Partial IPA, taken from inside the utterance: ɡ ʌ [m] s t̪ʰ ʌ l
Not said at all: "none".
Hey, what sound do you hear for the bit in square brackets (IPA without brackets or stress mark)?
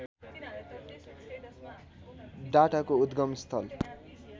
m